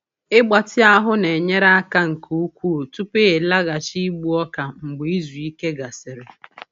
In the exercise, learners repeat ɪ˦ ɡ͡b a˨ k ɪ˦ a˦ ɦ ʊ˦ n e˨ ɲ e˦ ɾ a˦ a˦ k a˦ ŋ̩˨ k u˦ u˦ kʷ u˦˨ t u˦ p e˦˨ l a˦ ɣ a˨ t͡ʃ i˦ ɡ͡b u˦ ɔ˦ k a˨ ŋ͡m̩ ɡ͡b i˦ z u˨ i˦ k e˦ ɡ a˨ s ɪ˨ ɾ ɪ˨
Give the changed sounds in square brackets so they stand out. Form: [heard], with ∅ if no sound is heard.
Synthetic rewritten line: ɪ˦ ɡ͡b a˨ [t] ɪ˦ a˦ ɦ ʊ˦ n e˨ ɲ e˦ ɾ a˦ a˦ k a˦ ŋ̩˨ k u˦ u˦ kʷ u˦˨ t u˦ p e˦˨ l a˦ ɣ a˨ t͡ʃ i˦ ɡ͡b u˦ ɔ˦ k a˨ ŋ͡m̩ ɡ͡b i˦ z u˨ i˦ k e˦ ɡ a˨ s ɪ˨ ɾ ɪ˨

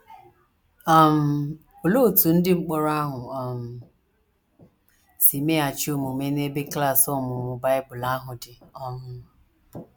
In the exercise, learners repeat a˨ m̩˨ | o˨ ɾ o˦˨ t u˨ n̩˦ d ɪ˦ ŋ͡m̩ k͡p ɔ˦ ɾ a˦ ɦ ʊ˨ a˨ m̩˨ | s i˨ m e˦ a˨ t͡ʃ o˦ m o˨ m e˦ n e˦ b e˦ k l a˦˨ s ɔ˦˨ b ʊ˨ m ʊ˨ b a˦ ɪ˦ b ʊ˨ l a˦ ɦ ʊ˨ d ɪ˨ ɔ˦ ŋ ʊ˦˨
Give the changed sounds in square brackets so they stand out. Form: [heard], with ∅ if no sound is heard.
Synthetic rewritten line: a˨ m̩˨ | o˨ [l] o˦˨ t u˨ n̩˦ d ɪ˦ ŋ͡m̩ k͡p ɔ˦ ɾ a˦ ɦ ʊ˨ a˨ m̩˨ | s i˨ m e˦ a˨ t͡ʃ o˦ m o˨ m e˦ n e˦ b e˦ k l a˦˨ s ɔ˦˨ [m] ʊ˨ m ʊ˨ b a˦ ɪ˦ b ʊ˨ l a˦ ɦ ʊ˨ d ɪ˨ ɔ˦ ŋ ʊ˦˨

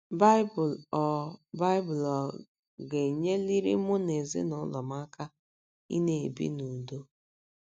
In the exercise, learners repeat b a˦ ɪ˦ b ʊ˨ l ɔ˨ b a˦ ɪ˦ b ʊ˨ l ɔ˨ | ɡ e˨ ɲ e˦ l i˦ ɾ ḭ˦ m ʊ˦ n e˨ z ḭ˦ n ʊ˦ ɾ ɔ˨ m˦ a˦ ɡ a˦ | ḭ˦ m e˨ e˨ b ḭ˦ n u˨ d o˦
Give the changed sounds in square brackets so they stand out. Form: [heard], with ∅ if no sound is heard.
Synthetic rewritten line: b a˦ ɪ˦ b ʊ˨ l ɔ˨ b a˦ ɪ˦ b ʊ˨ l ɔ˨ | ɡ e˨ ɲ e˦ l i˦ ɾ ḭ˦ m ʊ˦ n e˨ z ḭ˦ n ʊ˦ [l] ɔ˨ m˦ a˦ [k] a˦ | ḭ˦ [n] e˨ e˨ b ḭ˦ n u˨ d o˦

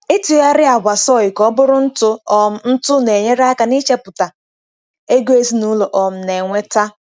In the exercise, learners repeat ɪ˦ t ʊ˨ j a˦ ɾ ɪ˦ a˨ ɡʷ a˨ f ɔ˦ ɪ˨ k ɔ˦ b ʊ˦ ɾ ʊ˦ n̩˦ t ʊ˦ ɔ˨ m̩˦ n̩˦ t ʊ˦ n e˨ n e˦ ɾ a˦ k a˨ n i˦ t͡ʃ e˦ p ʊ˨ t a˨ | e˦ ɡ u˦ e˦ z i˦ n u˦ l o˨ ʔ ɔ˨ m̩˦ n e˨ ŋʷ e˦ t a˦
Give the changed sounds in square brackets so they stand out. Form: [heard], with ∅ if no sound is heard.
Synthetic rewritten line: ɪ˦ t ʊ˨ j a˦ ɾ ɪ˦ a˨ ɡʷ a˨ [s] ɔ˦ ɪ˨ k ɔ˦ b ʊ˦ ɾ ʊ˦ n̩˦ t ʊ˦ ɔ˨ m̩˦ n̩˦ t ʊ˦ n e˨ [ɲ] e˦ ɾ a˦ k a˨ n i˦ t͡ʃ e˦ p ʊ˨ t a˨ | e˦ ɡ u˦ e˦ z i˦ n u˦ l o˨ ʔ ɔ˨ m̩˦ n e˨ ŋʷ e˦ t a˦

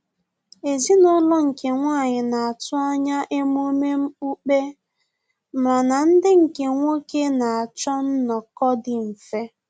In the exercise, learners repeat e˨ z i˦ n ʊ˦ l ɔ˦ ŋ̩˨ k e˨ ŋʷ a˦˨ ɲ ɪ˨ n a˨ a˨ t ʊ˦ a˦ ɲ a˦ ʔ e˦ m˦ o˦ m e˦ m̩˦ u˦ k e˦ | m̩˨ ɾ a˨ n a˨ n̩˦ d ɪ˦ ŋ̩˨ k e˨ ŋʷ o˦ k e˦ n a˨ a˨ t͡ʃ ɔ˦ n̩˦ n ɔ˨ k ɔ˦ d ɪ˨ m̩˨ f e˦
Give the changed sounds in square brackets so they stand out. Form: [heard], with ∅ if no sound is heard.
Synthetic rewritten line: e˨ z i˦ n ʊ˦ l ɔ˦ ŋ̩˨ k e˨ ŋʷ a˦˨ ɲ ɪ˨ n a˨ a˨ t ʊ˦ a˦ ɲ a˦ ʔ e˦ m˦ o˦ m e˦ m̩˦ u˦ [k͡p] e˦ | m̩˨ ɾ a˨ n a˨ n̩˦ d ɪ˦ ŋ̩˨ k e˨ ŋʷ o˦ k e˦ n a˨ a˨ t͡ʃ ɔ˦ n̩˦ n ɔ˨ k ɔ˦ d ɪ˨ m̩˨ f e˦

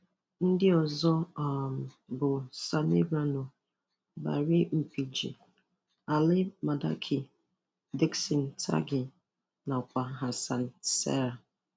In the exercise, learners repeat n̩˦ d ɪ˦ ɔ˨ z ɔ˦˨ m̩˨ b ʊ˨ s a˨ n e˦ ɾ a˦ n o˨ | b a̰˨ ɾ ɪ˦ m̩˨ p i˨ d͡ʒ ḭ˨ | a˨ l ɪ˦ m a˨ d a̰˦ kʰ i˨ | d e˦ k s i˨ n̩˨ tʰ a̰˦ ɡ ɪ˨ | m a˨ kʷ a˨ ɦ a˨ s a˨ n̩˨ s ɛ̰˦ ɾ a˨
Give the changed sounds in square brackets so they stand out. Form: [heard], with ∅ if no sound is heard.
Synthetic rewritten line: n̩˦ d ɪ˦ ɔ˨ z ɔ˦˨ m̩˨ b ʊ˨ s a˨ n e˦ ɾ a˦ n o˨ | b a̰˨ ɾ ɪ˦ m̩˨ p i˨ d͡ʒ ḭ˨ | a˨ l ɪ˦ m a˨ d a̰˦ kʰ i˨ | d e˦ k s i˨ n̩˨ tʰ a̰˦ ɡ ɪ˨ | [n] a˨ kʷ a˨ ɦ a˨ s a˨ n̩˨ s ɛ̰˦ ɾ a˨

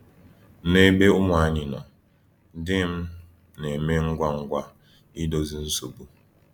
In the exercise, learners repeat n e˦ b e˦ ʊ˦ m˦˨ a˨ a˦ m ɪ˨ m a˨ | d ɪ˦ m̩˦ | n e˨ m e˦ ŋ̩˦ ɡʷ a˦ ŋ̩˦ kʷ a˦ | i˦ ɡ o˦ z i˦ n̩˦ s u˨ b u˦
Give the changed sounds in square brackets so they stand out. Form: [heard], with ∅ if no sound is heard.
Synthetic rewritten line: n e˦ b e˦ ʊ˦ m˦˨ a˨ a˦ [ɲ] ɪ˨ [n] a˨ | d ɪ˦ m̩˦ | n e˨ m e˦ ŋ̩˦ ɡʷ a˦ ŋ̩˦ [ɡʷ] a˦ | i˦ [d] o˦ z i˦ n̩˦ s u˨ b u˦

